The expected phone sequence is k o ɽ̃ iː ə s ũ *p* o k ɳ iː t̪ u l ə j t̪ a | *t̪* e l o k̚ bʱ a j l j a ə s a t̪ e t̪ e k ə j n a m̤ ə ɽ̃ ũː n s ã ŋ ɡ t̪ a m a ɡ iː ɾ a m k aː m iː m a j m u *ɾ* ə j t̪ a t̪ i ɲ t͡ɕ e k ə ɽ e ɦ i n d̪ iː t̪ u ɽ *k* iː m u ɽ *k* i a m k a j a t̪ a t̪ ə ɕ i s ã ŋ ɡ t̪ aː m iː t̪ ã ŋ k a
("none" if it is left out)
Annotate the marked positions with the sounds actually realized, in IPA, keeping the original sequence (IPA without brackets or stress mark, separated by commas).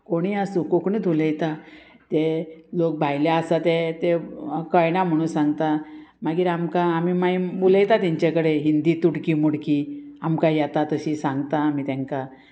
k, t̪, l, k, k